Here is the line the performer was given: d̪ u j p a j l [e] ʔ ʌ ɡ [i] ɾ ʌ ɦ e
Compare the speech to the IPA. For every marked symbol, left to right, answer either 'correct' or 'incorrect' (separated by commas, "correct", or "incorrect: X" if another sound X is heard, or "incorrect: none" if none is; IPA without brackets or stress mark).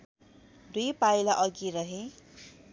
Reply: incorrect: a, correct